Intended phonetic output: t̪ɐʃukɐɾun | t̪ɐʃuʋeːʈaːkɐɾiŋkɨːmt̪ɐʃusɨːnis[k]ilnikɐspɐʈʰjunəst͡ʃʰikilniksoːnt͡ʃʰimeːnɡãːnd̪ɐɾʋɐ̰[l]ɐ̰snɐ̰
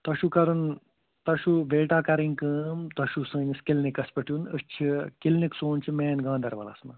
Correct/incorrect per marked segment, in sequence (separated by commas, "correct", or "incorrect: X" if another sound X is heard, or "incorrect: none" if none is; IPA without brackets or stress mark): correct, correct